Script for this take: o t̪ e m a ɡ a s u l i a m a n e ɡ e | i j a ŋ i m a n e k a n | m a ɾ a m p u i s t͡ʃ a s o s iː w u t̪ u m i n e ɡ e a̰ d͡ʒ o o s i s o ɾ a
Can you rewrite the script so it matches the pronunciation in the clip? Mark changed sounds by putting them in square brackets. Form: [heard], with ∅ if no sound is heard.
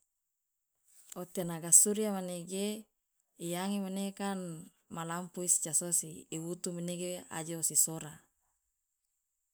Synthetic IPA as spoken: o t̪ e [n] a ɡ a s u [ɾ] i a m a n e ɡ e | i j a ŋ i m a n e k a n | m a [l] a m p u i s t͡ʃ a s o s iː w u t̪ u m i n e ɡ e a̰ d͡ʒ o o s i s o ɾ a